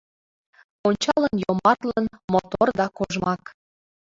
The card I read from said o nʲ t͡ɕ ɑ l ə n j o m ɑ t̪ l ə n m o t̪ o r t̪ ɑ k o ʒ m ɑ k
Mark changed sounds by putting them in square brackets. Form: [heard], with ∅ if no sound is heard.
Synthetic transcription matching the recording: o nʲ t͡ɕ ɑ l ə n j o m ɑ t̪ l ə n m o t̪ o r [d̪] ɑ k o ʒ m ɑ k